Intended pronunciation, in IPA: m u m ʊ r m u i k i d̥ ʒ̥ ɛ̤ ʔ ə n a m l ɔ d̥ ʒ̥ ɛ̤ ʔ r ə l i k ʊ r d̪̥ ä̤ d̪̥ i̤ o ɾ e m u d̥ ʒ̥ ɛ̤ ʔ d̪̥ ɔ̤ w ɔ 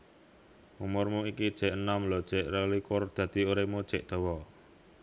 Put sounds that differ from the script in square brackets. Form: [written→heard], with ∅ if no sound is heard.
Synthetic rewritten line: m u m ʊ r m u i k i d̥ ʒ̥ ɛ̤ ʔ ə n a m l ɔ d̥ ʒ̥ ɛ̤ ʔ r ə l i k ʊ r d̪̥ ä̤ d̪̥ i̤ o ɾ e m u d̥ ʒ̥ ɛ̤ ʔ d̪̥ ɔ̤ w ɔ

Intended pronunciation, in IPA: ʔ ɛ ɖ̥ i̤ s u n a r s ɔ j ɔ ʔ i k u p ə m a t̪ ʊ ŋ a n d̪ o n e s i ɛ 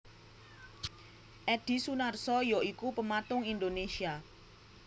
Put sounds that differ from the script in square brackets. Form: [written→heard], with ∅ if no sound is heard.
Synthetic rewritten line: ʔ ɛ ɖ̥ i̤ s u n a r s ɔ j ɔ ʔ i k u p ə m a t̪ ʊ ŋ [a→i] n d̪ o n e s i [ɛ→a]

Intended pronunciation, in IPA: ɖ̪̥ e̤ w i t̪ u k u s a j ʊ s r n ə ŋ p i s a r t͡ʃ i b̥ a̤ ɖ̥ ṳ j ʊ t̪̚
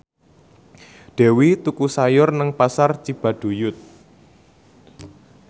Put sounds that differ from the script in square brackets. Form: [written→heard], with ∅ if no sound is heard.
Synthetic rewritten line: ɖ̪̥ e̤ w i t̪ u k u s a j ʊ [s→∅] r n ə ŋ p [i→a] s a r t͡ʃ i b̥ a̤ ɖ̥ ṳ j ʊ t̪̚

